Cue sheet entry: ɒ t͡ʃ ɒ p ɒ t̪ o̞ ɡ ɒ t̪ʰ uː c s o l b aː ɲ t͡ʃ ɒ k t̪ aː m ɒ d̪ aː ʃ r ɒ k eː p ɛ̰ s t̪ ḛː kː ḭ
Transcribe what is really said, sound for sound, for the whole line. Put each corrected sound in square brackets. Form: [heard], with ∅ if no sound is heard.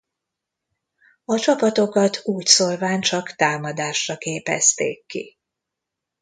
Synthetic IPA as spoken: ɒ t͡ʃ ɒ p ɒ t̪ o̞ [k] ɒ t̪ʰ uː c s o l [v] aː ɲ t͡ʃ ɒ k t̪ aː m ɒ d̪ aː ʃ r ɒ k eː p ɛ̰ s t̪ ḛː kː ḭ